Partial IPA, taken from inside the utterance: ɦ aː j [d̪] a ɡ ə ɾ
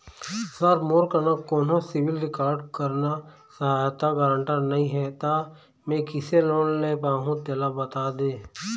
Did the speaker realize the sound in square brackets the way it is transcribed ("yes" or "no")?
no